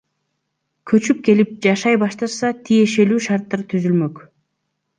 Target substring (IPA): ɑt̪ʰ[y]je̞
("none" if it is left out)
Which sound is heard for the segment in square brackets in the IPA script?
i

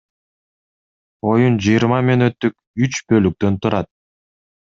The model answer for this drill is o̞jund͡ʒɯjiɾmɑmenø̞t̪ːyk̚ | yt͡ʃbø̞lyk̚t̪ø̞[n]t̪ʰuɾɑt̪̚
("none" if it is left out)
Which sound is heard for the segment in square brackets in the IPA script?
n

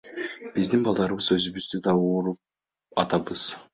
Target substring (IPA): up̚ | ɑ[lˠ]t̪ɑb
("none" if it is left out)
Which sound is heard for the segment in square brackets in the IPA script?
none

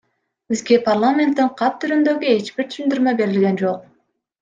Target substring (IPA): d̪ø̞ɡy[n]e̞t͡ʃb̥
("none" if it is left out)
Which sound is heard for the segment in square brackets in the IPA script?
none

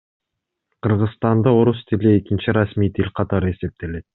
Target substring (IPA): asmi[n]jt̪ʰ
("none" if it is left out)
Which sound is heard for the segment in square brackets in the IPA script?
none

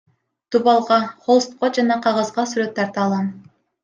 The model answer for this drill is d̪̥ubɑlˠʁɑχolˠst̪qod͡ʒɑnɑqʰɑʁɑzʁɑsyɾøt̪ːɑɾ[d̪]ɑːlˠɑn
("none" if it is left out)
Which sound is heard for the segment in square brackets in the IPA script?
t̪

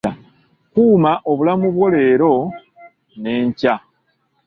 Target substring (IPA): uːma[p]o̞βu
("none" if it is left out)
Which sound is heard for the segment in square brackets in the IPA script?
ʔ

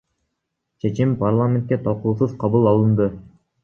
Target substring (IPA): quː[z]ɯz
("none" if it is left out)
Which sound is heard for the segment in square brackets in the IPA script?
s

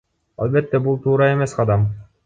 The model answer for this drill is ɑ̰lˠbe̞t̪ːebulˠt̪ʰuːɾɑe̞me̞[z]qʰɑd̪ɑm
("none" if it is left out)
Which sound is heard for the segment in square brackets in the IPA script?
s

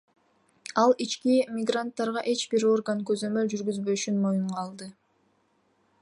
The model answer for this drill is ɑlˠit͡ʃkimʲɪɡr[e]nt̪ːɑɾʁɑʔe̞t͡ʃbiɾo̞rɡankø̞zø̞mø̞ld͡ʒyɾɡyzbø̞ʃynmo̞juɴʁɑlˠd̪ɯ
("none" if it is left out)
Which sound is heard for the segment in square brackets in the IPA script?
a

